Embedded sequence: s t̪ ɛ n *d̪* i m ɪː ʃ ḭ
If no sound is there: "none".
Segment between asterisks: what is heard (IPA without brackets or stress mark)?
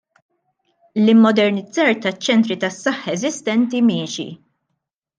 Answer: t̪